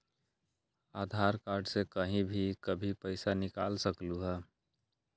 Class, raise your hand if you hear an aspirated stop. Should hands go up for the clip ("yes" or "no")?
no